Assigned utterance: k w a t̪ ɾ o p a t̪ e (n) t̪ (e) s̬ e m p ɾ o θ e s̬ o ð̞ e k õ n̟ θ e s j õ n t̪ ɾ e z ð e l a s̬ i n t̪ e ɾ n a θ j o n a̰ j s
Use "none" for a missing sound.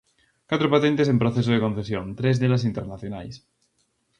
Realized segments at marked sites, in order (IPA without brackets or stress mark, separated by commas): n, e